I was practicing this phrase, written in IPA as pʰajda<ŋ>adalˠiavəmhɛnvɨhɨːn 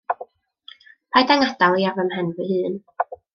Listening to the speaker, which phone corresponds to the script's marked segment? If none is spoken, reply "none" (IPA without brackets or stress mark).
ŋ